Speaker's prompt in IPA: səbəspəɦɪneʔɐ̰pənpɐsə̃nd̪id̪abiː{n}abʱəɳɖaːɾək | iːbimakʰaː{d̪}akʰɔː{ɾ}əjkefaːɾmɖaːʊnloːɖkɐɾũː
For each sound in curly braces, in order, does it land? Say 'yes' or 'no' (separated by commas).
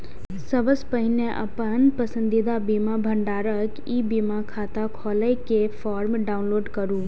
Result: no, no, no